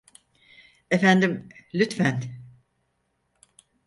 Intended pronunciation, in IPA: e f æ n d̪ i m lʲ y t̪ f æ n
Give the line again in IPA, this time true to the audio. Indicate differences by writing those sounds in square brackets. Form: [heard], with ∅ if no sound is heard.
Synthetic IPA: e f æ n d̪ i m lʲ y t̪ f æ n